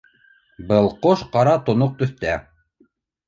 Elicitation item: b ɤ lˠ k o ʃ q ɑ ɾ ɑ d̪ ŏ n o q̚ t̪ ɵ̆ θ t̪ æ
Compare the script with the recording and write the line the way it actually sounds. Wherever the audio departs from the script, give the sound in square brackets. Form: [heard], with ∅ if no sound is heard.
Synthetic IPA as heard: b ɤ lˠ [q] o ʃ q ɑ ɾ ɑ [t̪] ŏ n o q̚ t̪ ɵ̆ θ t̪ æ